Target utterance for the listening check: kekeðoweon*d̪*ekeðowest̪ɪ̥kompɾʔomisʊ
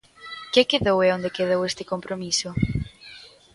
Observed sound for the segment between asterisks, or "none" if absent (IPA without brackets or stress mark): d̪